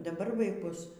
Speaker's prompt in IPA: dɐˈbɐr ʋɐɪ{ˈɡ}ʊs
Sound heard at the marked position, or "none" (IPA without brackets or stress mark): k